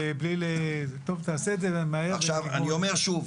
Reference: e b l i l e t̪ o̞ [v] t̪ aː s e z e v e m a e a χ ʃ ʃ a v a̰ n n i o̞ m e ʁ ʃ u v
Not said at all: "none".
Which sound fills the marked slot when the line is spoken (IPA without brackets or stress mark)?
v